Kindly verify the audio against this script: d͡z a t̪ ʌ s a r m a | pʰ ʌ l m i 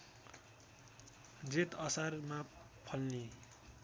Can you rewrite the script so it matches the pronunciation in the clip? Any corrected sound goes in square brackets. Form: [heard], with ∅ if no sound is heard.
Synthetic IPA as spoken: d͡z [e] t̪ ʌ s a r m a | pʰ ʌ l [n] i